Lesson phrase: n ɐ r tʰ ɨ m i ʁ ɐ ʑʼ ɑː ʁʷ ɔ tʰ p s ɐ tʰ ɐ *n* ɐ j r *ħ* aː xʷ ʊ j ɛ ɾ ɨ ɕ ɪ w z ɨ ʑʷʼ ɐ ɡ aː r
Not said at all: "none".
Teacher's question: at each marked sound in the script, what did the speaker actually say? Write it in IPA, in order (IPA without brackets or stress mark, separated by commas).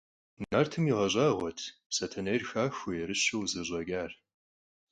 n, x